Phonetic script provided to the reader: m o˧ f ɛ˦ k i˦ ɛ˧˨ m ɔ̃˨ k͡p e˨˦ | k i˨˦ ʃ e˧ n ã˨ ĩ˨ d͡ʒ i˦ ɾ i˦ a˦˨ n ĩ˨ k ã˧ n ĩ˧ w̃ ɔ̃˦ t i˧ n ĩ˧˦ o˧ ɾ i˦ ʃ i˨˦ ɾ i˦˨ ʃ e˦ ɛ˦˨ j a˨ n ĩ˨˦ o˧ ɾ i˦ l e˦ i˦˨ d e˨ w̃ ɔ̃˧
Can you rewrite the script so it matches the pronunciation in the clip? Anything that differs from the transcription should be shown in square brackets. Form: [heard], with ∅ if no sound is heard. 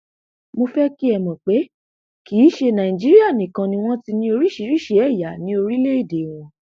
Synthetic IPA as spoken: m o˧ f ɛ˦ k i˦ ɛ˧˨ m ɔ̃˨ k͡p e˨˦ | k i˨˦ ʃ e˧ n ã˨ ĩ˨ d͡ʒ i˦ ɾ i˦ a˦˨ n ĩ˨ k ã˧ n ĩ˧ w̃ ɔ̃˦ t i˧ n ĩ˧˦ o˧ ɾ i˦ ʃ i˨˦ ɾ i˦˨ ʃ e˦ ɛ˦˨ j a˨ n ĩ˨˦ o˧ ɾ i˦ l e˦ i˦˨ d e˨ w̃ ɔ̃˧